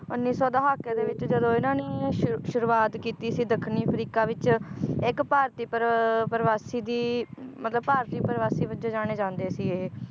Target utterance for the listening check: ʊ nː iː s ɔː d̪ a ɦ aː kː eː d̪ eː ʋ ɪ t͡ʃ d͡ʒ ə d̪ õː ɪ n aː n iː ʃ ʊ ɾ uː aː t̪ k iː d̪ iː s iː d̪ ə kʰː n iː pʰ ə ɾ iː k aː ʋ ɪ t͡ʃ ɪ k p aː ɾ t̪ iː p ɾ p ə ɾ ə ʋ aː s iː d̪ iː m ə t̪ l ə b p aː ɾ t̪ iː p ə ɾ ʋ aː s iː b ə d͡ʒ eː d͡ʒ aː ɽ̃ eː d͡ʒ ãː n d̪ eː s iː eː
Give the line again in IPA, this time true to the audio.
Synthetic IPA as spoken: ʊ nː iː s ɔː d̪ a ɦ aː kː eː d̪ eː ʋ ɪ t͡ʃ d͡ʒ ə d̪ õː ɪ n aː n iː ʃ ʊ ɾ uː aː t̪ k iː t̪ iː s iː d̪ ə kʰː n iː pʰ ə ɾ iː k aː ʋ ɪ t͡ʃ ɪ k p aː ɾ t̪ iː p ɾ p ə ɾ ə ʋ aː s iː d̪ iː m ə t̪ l ə b p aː ɾ t̪ iː p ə ɾ ʋ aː s iː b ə d͡ʒ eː d͡ʒ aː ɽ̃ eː d͡ʒ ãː n d̪ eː s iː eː

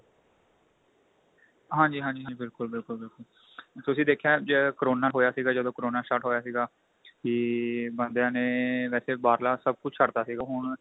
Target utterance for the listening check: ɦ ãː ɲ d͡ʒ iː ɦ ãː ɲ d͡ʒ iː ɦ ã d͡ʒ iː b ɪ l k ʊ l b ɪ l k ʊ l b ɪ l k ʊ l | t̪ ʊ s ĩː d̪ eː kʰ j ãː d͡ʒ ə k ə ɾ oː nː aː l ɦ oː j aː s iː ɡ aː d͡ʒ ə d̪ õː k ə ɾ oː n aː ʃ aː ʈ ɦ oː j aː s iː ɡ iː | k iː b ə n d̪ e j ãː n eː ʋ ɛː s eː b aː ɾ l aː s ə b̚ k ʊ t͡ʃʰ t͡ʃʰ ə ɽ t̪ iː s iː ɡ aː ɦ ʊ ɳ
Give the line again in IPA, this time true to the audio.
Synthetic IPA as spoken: ɦ ãː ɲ d͡ʒ iː ɦ ãː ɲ d͡ʒ iː ɦ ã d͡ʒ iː b ɪ l k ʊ l b ɪ l k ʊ l b ɪ l k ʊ l | t̪ ʊ s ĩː d̪ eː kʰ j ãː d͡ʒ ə k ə ɾ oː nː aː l ɦ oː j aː s iː ɡ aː d͡ʒ ə d̪ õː k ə ɾ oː n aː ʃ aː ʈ ɦ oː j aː s iː ɡ aː | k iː b ə n d̪ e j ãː n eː ʋ ɛː s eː b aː ɾ l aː s ə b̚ k ʊ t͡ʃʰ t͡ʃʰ ə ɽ t̪ aː s iː ɡ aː ɦ ʊ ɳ

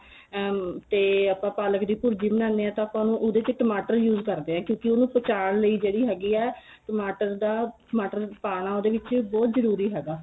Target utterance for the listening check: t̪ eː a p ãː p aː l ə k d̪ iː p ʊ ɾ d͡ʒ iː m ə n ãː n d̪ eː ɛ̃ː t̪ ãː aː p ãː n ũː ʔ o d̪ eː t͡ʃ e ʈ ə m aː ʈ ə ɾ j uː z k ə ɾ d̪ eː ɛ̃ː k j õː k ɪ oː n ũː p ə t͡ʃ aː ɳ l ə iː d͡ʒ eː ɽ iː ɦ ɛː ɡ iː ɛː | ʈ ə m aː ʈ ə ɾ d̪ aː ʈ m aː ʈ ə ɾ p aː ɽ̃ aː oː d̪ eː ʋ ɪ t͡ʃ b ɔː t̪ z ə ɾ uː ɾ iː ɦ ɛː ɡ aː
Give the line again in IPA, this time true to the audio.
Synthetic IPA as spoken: t̪ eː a p ãː p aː l ə k d̪ iː p ʊ ɾ d͡ʒ iː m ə n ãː n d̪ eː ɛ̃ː t̪ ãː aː p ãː n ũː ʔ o d̪ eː t͡ʃ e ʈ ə m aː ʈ ə ɾ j uː z k ə ɾ d̪ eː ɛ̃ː k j õː k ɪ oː n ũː p ə t͡ʃ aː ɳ l ə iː d͡ʒ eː ɽ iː ɦ ɛː ɡ iː ɛː | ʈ ə m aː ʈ ə ɾ d̪ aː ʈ m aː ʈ ə ɾ p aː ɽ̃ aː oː d̪ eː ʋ ɪ t͡ʃ b ɔː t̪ z ə ɾ uː ɾ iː ɦ ɛː ɡ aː

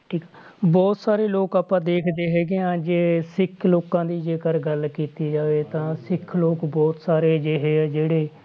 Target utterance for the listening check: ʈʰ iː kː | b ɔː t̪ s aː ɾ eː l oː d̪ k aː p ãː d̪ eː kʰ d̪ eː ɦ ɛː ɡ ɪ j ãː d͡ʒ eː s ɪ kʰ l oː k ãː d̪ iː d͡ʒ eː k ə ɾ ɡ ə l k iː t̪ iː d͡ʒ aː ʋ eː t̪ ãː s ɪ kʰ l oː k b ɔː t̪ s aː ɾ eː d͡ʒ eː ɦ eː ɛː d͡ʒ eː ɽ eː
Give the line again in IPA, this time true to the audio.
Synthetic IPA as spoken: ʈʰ iː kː | b ɔː t̪ s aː ɾ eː l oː k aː p ãː d̪ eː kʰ d̪ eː ɦ ɛː ɡ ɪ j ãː d͡ʒ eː s ɪ kʰ l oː k ãː d̪ iː d͡ʒ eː k ə ɾ ɡ ə l k iː t̪ iː d͡ʒ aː ʋ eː t̪ ãː s ɪ kʰ l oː k b ɔː t̪ s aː ɾ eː d͡ʒ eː ɦ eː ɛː d͡ʒ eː ɽ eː

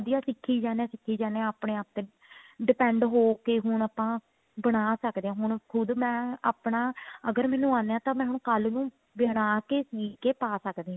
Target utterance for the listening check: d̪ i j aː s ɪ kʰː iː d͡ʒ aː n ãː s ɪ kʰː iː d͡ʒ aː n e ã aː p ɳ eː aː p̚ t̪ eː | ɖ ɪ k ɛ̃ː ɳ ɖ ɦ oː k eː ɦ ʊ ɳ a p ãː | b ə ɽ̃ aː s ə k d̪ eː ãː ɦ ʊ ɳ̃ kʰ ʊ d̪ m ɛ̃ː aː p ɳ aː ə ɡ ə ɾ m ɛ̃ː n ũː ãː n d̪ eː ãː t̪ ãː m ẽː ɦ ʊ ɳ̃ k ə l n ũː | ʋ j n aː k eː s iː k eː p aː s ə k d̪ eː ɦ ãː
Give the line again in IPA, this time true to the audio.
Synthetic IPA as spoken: d̪ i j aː s ɪ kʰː iː d͡ʒ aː n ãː s ɪ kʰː iː d͡ʒ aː n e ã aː p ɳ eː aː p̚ t̪ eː | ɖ ɪ p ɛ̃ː ɳ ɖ ɦ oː k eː ɦ ʊ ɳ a p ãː | b ə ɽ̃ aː s ə k d̪ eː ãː ɦ ʊ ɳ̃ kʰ ʊ d̪ m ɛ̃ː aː p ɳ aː ə ɡ ə ɾ m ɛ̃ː n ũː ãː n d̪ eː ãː t̪ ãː m ɛ̃ː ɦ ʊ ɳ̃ k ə l n ũː | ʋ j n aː k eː s iː k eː p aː s ə k d̪ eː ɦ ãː

